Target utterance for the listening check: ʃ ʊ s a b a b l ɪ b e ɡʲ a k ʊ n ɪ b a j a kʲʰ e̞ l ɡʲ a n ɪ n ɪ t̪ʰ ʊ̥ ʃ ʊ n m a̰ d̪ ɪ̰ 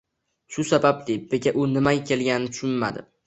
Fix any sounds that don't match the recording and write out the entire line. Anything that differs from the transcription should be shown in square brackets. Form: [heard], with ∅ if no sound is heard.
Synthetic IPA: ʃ ʊ s a b a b l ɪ b e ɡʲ a [ʔ] ʊ n ɪ [m] a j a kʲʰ e̞ l ɡʲ a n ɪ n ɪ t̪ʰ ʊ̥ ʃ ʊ n m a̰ d̪ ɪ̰